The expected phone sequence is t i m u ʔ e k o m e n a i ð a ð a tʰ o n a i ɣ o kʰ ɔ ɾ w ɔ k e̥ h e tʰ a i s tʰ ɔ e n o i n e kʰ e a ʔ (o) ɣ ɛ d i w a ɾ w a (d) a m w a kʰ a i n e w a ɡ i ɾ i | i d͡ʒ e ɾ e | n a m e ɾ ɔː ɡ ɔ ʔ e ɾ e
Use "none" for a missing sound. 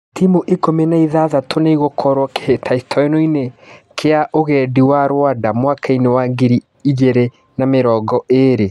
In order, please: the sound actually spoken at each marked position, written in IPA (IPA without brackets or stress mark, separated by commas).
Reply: o, d